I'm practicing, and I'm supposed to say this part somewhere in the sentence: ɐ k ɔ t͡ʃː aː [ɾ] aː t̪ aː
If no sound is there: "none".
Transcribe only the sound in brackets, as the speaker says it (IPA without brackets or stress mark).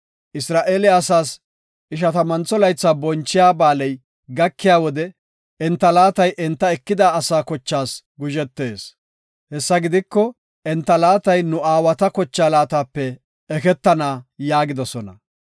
l